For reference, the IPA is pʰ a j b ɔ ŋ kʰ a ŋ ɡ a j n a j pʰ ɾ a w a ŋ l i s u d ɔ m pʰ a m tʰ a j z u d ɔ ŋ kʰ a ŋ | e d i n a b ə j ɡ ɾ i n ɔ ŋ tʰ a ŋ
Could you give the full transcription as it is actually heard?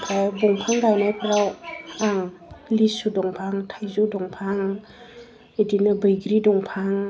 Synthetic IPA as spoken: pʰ a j b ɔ ŋ pʰ a ŋ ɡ a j n a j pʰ ɾ a w a ŋ l i s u d ɔ ŋ pʰ a ŋ tʰ a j z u d ɔ ŋ pʰ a ŋ | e d i n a b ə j ɡ ɾ i d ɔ ŋ pʰ a ŋ

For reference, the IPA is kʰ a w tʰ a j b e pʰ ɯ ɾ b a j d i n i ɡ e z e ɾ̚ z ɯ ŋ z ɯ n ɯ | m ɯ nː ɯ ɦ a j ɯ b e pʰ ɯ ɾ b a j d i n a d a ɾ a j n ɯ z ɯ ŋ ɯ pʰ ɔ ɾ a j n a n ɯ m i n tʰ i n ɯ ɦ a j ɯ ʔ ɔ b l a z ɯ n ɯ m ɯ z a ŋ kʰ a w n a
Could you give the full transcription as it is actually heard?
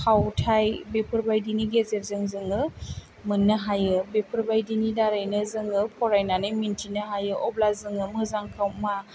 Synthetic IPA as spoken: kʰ a w tʰ a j b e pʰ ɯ ɾ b a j d i n i ɡ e z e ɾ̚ z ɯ ŋ z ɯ ŋ ɯ | m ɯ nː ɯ ɦ a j ɯ b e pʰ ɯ ɾ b a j d i n i d a ɾ a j n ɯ z ɯ ŋ ɯ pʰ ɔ ɾ a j n a n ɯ m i n tʰ i n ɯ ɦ a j ɯ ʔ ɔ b l a z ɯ ŋ ɯ m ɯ z a ŋ kʰ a w m a

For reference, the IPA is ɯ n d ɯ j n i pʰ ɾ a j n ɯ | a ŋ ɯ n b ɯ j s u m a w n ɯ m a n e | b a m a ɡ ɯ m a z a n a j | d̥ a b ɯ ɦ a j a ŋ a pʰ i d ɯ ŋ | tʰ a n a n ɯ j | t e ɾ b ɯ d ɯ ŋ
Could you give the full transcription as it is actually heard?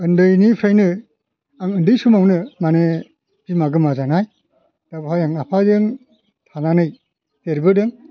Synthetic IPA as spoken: ɯ n d ɯ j n i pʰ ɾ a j n ɯ | a ŋ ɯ n d ɯ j s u m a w n ɯ m a n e | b i m a ɡ ɯ m a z a n a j | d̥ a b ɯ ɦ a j a ŋ a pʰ a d ɯ ŋ | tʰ a n a n ɯ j | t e ɾ b ɯ d ɯ ŋ

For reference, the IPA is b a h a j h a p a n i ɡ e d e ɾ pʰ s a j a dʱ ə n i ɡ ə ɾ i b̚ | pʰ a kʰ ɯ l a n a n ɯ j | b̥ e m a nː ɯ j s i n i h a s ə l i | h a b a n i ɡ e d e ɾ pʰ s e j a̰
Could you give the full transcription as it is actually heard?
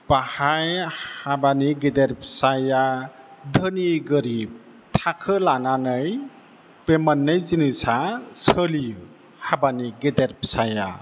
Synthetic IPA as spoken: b a h a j h a b a n i ɡ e d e ɾ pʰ s a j a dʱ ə n i ɡ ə ɾ i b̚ | tʰ a kʰ ɯ l a n a n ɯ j | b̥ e m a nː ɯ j z i n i s a s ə l i | h a b a n i ɡ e d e ɾ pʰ s a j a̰

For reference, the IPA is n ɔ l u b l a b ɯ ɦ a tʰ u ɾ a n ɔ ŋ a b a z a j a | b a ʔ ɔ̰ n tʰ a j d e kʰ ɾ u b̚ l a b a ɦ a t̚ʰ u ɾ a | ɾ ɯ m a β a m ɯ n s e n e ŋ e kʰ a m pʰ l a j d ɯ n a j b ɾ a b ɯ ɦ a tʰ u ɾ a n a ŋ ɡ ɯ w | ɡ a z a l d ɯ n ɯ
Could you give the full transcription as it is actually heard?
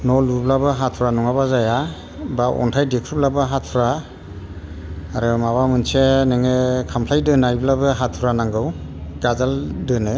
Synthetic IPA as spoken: n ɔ l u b l a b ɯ ɦ a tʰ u ɾ a n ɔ ŋ a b a z a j a | b a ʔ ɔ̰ n tʰ a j d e kʰ ɾ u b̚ l a b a ɦ a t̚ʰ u ɾ a | ɾ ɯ m a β a m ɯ n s e n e ŋ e kʰ a m pʰ l a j d ɯ n a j b l a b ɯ ɦ a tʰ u ɾ a n a ŋ ɡ ɯ w | ɡ a z a l d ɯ n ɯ

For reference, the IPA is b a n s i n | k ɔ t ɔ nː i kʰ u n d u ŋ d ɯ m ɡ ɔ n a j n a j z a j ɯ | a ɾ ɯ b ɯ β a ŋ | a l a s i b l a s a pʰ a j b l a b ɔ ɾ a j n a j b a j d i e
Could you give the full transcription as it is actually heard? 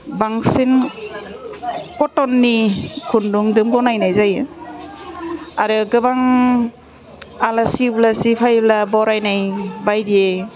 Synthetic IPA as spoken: b a ŋ s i n | k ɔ t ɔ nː i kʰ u n d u ŋ d ɯ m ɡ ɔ n a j n a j z a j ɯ | a ɾ ɯ ɡ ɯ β a ŋ | a l a s i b l a s i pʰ a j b l a b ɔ ɾ a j n a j b a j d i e

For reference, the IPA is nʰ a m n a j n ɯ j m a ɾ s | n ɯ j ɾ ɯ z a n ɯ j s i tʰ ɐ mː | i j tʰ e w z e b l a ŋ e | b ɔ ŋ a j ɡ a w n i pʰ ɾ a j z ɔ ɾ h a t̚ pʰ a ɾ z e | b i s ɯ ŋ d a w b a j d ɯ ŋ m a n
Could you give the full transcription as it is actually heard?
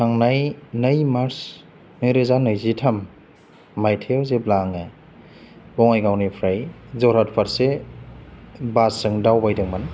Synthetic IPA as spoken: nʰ a ŋ n a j n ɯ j m a ɾ s | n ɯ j ɾ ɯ z a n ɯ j z i tʰ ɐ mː | a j tʰ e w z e b l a ŋ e | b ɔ ŋ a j ɡ a w n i pʰ ɾ a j z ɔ ɾ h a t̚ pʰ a ɾ s e | b a s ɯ ŋ d a w b a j d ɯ ŋ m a n

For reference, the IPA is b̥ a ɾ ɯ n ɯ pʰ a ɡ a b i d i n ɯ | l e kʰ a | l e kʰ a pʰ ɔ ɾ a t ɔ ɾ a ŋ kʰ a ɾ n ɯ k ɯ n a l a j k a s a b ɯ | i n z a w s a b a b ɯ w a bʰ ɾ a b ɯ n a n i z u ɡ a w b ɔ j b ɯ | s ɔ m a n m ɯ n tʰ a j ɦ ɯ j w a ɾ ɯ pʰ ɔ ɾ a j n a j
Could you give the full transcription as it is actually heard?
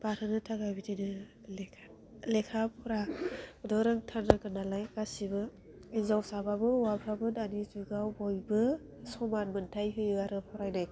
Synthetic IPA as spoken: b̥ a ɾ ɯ n ɯ tʰ a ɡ a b i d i n ɯ | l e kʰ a | l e kʰ a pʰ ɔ ɾ a d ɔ ɾ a ŋ tʰ a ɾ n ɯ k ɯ n a l a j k a s i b ɯ | i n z a w s a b a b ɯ w a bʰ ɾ a b ɯ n a n i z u ɡ a w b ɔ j b ɯ | s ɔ m a n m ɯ n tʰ a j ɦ ɯ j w a ɾ ɯ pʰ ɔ ɾ a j n a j

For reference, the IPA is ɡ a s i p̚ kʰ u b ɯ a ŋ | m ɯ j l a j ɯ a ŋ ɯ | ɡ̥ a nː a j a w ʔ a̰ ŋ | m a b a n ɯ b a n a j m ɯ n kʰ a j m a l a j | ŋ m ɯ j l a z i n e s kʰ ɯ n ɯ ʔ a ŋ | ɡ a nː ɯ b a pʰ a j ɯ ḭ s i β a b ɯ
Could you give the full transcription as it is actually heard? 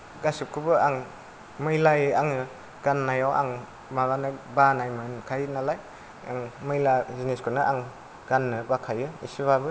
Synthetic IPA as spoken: ɡ a s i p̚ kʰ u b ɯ a ŋ | m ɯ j l a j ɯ a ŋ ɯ | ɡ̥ a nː a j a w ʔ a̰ ŋ | m a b a n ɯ b a n a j m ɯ n kʰ a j n a l a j | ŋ m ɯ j l a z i n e s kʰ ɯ n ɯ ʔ a ŋ | ɡ a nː ɯ b a kʰ a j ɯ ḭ s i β a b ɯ

